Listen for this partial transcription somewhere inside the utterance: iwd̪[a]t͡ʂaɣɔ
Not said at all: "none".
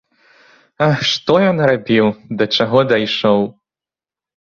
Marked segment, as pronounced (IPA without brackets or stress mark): ɐ